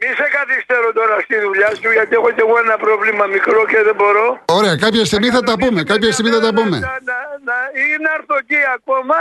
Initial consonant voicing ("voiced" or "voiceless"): voiced